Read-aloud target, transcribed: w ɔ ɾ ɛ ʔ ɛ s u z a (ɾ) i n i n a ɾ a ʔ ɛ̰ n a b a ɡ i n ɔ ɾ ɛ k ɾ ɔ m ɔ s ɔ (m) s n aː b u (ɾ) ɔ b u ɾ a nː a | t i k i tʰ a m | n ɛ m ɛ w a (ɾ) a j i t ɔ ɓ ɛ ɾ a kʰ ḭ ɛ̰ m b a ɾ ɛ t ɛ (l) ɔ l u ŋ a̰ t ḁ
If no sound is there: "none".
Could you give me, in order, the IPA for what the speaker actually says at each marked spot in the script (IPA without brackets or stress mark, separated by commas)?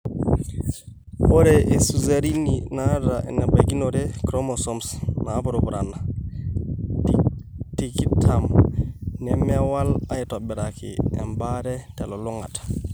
ɾ, m, ɾ, l, l